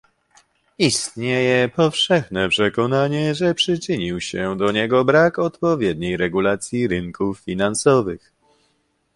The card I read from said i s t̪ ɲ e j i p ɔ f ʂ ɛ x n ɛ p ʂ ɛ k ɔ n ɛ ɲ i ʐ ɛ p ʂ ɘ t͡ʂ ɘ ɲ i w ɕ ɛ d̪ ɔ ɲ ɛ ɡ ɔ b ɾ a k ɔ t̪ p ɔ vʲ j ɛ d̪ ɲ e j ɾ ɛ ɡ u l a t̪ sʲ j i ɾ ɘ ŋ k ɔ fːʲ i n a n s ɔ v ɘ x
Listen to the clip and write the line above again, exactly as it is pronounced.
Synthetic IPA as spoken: i s t̪ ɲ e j ɛ p ɔ f ʂ ɛ x n ɛ p ʂ ɛ k ɔ n a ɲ ɛ ʐ ɛ p ʂ ɘ t͡ʂ ɘ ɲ i w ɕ ɛ d̪ ɔ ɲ ɛ ɡ ɔ b ɾ a k ɔ t̪ p ɔ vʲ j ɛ d̪ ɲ e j ɾ ɛ ɡ u l a t̪ sʲ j i ɾ ɘ ŋ k u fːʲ i n a n s ɔ v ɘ x